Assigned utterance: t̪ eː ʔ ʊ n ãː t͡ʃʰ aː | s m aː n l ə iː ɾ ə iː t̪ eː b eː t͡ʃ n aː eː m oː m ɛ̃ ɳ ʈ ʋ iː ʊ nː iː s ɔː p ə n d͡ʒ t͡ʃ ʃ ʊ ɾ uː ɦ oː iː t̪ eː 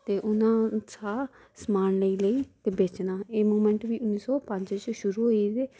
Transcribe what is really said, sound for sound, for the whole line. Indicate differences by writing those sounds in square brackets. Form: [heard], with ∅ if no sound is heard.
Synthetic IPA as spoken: t̪ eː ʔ ʊ n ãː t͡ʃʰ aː | s m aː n l ə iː [l] ə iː t̪ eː b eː t͡ʃ n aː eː m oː m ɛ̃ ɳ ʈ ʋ iː ʊ nː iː s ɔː p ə [ɲ] d͡ʒ t͡ʃ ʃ ʊ ɾ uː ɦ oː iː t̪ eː